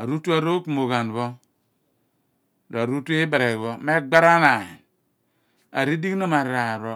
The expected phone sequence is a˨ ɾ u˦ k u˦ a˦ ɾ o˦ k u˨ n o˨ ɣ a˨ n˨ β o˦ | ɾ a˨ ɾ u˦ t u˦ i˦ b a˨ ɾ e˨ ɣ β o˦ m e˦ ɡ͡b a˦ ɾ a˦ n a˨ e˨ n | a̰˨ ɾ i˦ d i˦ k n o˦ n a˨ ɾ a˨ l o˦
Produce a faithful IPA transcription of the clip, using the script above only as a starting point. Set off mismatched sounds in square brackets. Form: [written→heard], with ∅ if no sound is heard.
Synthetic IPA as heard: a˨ ɾ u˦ [k→t] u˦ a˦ ɾ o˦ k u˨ [n→m] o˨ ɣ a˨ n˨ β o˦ | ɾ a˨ ɾ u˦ t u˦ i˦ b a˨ ɾ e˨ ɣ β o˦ m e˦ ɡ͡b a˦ ɾ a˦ n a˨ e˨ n | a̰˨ ɾ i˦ d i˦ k n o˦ [n→m] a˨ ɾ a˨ [l→ɾ] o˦